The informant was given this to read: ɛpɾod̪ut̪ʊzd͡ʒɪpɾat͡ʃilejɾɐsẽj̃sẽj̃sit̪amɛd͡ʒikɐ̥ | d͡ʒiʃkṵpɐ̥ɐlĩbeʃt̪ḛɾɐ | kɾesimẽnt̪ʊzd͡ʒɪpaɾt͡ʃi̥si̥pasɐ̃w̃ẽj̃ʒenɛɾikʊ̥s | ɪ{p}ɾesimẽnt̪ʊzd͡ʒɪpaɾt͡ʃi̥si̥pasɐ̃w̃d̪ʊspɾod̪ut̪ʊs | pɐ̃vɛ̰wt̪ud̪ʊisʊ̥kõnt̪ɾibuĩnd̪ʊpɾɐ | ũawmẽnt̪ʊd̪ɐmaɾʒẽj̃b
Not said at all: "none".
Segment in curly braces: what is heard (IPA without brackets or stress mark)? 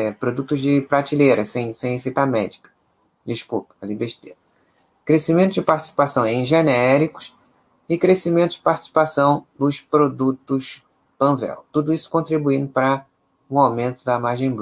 k